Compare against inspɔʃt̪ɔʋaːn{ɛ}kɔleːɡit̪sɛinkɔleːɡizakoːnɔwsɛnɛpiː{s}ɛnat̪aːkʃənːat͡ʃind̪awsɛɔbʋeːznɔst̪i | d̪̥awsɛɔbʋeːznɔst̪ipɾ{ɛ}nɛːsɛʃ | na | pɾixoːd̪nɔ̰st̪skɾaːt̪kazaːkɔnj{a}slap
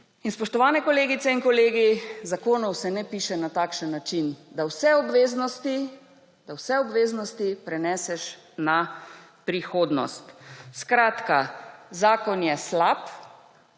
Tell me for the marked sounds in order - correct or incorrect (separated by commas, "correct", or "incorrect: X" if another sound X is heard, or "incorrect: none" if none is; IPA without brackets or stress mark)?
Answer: correct, incorrect: ʃ, correct, incorrect: ɛ